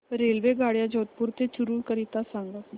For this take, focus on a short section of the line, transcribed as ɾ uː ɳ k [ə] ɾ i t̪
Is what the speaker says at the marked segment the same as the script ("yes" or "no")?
yes